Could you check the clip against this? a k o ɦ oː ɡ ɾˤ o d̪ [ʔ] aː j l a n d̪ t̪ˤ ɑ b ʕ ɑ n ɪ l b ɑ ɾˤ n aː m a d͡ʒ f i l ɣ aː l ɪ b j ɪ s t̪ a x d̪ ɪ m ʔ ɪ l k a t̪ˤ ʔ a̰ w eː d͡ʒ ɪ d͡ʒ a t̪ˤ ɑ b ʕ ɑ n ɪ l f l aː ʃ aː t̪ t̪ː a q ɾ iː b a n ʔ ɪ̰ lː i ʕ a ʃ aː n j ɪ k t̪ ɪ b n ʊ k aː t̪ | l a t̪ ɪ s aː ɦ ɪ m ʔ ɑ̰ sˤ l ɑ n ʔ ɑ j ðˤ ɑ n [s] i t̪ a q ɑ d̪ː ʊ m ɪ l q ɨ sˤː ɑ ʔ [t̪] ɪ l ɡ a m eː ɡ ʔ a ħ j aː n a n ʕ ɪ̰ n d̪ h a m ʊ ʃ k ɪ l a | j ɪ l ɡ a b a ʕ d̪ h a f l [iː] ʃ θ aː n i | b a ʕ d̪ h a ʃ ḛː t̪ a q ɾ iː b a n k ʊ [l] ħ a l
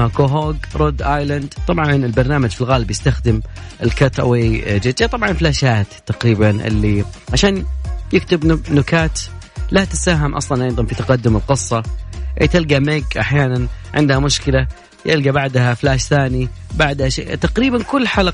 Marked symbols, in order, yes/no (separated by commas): yes, no, yes, no, no